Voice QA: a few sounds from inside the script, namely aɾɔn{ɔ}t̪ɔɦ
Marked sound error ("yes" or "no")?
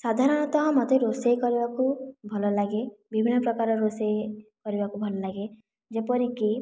no